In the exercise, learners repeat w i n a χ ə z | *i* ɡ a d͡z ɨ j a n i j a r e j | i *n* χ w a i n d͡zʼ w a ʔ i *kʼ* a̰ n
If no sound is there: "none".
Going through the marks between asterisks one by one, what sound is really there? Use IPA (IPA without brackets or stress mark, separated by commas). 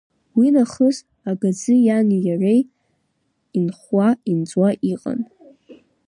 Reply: a, n, qʼ